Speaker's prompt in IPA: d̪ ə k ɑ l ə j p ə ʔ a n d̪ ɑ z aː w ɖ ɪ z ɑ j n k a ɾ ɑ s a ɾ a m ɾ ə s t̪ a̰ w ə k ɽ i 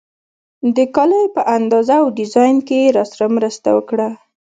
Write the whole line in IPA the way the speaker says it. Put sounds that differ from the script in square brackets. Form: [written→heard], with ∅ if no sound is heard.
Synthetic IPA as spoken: d̪ ə k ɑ l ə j p ə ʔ a n d̪ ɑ z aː w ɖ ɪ z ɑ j n k [a→e] ɾ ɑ s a ɾ a m ɾ ə s t̪ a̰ w ə k ɽ [i→a]